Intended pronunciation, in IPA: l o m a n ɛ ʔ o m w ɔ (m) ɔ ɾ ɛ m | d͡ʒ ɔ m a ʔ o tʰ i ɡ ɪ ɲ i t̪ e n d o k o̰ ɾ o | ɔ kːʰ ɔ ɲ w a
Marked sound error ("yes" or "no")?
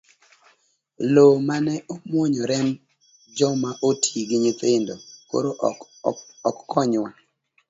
yes